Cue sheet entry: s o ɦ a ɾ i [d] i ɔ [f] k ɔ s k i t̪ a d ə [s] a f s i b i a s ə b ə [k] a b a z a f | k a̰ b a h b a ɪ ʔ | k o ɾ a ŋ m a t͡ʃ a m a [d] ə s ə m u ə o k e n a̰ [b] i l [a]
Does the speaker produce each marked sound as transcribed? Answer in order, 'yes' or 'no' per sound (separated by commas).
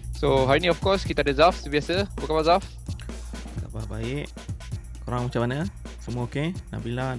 no, yes, no, yes, no, yes, yes